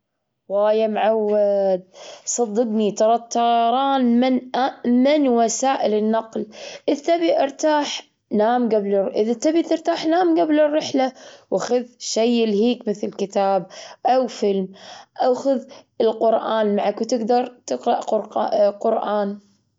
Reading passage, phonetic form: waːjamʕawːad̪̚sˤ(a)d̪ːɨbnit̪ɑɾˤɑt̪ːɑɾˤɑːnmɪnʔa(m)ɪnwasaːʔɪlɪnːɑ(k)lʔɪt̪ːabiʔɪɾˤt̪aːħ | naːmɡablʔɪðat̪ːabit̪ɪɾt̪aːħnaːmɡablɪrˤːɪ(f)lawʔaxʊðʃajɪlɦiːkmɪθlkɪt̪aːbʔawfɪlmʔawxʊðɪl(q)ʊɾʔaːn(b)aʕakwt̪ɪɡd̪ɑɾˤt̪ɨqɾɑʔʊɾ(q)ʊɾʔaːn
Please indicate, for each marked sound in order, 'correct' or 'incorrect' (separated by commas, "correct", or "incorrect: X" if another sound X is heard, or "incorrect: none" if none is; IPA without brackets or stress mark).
incorrect: ɑ, correct, incorrect: q, incorrect: ħ, correct, incorrect: m, correct